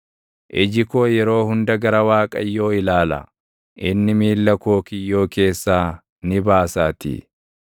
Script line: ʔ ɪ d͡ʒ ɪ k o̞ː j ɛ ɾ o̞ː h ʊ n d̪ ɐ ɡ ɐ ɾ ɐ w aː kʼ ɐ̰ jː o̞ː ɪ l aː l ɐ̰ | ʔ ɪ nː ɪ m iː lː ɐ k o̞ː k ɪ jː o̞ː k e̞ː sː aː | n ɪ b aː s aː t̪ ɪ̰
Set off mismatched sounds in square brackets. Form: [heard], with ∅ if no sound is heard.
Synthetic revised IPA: ʔ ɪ d͡ʒ ɪ k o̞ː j ɛ ɾ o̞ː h ʊ n d̪ ɐ ɡ ɐ ɾ ɐ w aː kʼ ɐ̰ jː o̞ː ɪ l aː l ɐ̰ | ʔ ɪ nː ɪ m iː lː ɐ k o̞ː k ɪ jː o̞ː k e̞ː sː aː | n ɪ b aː s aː t̪ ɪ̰